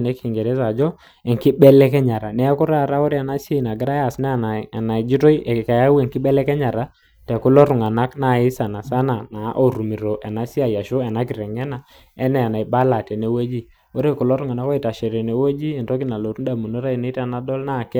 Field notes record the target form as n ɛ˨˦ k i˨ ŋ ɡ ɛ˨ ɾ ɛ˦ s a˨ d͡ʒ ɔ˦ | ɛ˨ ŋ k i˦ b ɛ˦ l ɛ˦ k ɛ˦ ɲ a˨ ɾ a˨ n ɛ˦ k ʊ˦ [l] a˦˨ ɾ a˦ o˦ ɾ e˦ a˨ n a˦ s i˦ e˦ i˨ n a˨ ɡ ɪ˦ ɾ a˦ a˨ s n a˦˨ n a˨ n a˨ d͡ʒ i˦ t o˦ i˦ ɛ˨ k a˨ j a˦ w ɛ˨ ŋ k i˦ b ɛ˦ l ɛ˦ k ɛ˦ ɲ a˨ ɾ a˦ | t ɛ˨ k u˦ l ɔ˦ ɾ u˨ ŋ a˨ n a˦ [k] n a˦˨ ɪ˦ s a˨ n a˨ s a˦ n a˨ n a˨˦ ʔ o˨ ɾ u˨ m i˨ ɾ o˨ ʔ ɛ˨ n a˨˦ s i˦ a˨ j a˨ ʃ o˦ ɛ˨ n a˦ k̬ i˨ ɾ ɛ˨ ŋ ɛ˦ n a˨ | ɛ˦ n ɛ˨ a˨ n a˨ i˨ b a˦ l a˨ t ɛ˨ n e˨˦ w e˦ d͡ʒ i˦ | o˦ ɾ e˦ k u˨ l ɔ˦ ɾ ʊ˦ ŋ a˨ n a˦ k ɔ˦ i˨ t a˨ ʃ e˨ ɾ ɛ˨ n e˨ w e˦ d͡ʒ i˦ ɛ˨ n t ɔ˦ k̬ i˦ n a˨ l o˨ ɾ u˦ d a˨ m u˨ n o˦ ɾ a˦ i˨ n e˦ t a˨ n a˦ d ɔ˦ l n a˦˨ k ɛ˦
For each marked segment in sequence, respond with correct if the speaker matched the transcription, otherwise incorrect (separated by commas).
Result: incorrect, correct